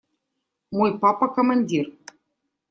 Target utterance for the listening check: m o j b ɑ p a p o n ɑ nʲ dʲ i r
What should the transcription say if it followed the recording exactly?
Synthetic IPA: m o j p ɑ p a k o m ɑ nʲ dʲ i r